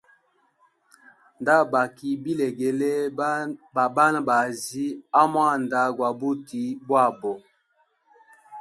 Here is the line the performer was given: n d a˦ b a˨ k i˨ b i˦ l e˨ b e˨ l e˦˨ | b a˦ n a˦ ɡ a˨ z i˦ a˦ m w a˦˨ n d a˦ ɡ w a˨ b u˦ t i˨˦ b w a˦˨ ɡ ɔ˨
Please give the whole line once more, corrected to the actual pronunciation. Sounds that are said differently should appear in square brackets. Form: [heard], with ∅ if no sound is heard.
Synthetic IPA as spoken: n d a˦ b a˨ k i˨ b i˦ l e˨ [ɡ] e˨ l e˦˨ | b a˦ n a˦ [b] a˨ z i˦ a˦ m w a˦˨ n d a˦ ɡ w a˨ b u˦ t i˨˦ b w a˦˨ [b] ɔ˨

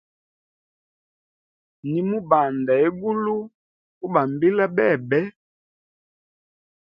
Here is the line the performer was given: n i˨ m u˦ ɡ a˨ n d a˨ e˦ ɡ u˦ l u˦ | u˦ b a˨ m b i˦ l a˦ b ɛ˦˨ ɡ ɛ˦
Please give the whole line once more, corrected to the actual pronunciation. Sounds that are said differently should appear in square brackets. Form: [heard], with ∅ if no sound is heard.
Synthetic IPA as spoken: n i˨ m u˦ [b] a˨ n d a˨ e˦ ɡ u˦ l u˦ | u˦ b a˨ m b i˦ l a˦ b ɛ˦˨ [b] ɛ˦

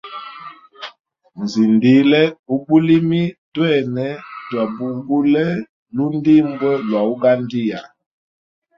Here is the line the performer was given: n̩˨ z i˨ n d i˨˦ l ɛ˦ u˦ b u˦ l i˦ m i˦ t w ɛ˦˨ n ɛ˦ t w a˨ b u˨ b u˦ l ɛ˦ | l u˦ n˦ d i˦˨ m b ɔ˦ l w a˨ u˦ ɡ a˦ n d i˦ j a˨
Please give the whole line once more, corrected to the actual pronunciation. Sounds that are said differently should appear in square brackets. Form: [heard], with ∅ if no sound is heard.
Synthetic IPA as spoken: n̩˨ z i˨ n d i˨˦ l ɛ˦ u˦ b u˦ l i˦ m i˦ t w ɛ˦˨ n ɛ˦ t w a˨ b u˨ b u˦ l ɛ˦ | l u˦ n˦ d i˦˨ m b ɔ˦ l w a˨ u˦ ɡ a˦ n d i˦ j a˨

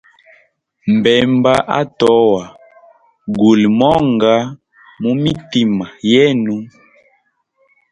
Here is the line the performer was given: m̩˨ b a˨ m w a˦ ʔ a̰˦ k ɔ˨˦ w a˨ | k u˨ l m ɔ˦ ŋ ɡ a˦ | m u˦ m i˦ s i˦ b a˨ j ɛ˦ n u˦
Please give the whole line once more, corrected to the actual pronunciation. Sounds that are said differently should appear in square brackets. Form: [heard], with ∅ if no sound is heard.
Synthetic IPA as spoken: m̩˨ b [ɛ˨] m [b] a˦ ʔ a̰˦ [t] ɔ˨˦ w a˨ | [ɡ] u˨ l m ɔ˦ ŋ ɡ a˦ | m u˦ m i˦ [t] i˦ [m] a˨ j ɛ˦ n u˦

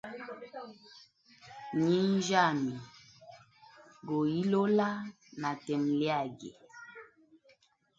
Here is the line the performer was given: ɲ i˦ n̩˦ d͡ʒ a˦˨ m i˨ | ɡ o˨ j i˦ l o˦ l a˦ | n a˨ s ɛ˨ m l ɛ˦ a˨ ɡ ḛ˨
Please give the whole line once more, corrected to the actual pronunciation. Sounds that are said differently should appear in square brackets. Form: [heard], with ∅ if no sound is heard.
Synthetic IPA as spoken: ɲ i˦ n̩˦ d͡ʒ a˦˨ m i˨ | ɡ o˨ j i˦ l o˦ l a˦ | n a˨ [t] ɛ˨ m l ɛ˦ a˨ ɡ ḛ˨

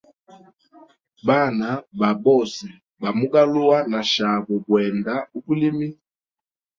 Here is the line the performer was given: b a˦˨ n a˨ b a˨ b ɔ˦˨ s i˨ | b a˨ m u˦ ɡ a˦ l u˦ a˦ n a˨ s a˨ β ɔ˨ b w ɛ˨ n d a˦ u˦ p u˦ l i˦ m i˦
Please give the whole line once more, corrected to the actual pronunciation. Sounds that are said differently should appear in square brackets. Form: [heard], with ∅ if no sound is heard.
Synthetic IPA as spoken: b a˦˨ n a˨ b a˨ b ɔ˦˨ s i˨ | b a˨ m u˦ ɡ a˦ l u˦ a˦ n a˨ [ʃ] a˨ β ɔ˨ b w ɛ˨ n d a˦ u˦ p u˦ l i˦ m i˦

